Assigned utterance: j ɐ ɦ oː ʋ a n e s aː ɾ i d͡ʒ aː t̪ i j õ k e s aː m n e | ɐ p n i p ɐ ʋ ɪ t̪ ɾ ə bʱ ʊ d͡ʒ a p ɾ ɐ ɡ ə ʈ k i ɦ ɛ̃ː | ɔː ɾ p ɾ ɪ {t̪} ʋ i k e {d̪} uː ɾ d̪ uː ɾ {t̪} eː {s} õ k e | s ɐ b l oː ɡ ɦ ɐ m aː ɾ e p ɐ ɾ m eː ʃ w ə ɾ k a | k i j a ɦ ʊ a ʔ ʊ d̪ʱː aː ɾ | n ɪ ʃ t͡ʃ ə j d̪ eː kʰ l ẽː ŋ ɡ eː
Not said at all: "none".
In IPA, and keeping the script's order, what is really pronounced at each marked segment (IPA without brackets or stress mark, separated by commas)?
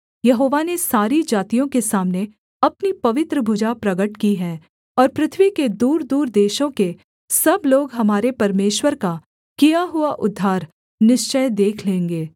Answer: t̪ʰ, d̪, d̪, ʃ